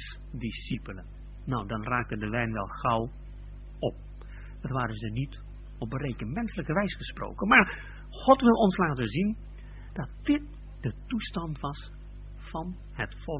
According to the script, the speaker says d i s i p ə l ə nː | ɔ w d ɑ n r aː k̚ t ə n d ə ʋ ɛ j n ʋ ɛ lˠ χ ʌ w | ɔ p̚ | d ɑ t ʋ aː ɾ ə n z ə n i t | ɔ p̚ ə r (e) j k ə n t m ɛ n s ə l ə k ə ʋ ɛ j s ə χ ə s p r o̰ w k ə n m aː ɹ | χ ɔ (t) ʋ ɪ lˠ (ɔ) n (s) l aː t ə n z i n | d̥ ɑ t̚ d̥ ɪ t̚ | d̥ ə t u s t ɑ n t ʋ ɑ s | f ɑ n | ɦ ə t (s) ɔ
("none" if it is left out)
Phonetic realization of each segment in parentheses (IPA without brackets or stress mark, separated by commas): e, t, ɔ, s, f